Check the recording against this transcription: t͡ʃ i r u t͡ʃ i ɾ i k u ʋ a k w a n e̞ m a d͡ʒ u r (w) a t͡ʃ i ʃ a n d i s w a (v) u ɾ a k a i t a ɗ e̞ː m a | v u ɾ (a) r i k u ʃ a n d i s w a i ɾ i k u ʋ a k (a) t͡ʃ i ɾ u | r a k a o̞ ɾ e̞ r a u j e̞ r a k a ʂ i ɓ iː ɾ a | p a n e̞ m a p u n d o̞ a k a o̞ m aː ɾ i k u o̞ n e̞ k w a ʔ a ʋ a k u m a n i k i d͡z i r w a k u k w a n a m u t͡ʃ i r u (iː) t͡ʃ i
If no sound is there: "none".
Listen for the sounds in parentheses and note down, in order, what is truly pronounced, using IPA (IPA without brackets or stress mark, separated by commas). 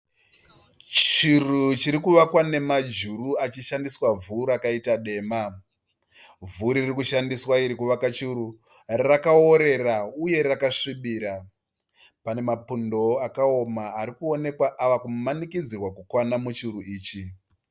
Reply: u, v, i, a, iː